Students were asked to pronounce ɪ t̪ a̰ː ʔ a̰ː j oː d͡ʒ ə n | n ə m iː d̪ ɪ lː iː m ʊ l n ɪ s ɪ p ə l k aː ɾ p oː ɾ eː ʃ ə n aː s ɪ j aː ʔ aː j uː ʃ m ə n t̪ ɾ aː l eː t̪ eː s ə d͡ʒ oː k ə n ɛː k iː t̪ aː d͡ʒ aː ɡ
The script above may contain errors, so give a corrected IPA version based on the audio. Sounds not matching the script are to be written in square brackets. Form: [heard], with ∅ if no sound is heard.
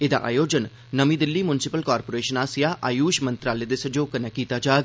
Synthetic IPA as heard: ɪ [d̪] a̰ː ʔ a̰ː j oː d͡ʒ ə n | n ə m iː d̪ ɪ lː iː m ʊ [∅] n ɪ s ɪ p ə l k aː ɾ p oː ɾ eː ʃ ə n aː s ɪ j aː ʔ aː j uː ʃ m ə n t̪ ɾ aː l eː [d̪] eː s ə d͡ʒ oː k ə n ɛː k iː t̪ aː d͡ʒ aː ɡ